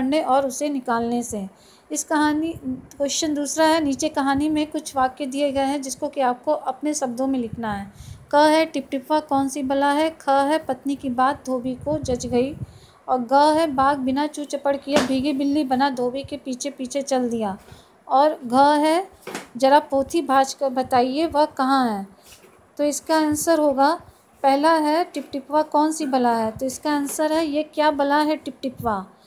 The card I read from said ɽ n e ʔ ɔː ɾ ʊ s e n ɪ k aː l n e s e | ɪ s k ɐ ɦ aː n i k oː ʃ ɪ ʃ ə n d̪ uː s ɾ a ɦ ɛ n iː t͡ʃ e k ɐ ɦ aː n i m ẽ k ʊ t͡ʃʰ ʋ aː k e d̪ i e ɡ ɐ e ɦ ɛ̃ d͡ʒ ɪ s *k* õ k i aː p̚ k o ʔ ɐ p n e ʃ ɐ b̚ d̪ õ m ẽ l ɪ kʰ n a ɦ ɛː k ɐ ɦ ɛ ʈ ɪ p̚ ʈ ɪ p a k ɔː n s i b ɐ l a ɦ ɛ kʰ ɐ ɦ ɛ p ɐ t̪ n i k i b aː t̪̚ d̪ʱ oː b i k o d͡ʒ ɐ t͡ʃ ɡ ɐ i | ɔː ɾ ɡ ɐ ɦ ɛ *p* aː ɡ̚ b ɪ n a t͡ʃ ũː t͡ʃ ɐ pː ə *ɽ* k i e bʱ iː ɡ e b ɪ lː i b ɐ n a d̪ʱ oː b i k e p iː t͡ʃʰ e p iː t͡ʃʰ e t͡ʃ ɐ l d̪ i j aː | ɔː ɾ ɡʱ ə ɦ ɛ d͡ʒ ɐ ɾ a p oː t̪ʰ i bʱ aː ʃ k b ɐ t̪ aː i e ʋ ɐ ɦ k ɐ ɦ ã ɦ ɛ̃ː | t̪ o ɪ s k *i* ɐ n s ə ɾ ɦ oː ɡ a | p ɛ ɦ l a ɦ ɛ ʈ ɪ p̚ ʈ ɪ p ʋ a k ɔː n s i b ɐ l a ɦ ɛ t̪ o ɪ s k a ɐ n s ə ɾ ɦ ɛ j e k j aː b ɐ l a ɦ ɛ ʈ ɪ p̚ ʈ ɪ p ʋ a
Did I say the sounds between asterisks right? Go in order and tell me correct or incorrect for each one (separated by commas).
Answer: correct, incorrect, correct, incorrect